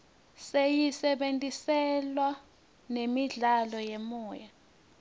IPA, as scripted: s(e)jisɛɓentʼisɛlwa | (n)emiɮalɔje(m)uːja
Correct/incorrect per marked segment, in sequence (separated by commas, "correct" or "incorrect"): correct, correct, correct